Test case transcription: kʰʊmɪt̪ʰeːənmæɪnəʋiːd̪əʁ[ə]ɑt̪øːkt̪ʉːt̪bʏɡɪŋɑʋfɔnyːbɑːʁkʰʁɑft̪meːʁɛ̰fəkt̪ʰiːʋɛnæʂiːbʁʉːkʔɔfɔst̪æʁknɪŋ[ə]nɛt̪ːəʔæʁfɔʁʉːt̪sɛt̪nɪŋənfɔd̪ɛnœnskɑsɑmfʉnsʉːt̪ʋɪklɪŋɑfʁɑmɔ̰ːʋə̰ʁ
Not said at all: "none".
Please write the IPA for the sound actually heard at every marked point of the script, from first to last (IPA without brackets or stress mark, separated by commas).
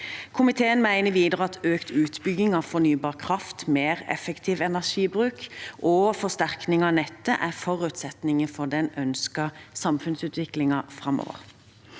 ə, ɑ